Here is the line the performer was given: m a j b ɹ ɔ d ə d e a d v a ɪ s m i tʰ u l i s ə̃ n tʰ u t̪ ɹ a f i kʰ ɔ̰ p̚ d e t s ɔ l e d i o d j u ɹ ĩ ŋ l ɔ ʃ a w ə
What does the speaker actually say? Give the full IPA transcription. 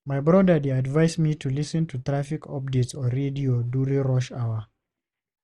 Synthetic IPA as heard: m a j b ɹ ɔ d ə d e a d v a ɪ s m i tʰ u l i s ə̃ n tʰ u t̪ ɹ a f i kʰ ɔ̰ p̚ d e t s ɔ ɹ e d i o d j u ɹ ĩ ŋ ɹ ɔ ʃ a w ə